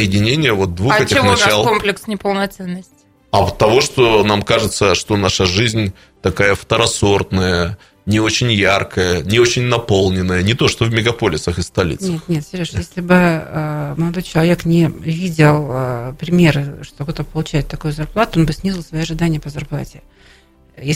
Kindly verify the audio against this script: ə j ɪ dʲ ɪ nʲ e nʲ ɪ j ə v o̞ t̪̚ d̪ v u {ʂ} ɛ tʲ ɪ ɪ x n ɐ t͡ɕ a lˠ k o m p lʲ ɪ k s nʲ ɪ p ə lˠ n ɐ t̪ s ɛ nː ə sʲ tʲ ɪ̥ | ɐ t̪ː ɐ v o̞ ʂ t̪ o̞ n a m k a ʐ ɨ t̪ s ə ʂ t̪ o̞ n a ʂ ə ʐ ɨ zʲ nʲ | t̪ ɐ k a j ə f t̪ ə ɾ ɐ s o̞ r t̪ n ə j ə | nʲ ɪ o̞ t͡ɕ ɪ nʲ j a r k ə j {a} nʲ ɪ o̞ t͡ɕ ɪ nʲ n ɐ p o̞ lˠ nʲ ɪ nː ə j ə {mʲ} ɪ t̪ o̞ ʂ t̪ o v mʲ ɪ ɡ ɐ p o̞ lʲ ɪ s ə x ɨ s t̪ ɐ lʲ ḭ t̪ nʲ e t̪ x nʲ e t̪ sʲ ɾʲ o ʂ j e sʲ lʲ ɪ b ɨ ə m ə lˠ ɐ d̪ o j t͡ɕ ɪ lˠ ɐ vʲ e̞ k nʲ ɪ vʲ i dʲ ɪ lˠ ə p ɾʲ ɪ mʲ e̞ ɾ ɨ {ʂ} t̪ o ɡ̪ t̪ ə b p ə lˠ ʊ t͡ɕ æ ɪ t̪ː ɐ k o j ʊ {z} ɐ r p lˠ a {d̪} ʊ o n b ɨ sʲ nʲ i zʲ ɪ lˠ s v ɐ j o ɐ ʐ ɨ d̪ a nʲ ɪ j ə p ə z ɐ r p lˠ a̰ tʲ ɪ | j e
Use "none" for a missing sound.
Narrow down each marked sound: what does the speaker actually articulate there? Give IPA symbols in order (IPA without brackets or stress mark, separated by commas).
x, ə, nʲ, ʂ, z, t̪